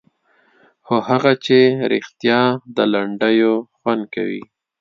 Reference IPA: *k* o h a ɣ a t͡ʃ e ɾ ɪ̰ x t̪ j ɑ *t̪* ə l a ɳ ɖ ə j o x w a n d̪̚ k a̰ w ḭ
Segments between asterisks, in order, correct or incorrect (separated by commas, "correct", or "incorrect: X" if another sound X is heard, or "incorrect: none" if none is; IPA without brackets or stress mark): incorrect: x, incorrect: d̪